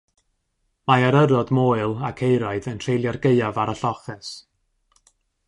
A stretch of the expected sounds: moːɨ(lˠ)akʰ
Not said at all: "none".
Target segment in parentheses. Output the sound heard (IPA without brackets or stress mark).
lˠ